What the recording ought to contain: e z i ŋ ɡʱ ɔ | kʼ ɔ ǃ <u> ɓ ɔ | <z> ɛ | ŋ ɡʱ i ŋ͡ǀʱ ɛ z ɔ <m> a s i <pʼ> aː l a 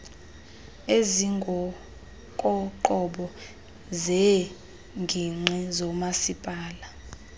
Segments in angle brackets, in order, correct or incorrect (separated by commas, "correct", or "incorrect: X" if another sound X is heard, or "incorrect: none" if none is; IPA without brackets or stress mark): incorrect: ɔ, correct, correct, correct